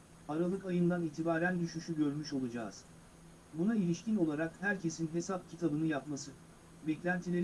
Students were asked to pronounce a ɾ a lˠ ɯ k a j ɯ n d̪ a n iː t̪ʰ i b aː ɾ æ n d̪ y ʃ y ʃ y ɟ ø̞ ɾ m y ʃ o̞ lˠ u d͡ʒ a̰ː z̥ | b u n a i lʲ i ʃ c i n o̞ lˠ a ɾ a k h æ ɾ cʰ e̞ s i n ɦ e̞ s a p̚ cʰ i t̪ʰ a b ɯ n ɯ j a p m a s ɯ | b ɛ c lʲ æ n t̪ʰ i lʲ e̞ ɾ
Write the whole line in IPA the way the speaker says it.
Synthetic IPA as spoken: a ɾ a lˠ ɯ k a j ɯ n d̪ a n iː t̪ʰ i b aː ɾ æ n d̪ y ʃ y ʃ y ɟ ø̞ ɾ m y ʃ o̞ lˠ u d͡ʒ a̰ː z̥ | b u n a i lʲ i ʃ c i n o̞ lˠ a ɾ a k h æ ɾ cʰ e̞ s i n ɦ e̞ s a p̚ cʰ i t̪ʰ a b ɯ n ɯ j a p m a s ɯ | b ɛ c lʲ æ n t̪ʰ i lʲ e̞ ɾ